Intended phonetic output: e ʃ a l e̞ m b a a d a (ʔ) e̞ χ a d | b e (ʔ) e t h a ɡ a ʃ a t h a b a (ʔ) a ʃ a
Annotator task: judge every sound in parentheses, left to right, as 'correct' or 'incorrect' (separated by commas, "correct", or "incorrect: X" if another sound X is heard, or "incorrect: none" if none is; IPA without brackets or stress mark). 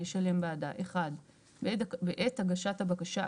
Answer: correct, correct, incorrect: k